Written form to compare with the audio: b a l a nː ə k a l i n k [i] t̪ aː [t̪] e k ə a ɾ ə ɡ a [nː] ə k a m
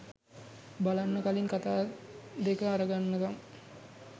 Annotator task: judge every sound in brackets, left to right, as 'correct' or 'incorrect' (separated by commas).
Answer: incorrect, incorrect, correct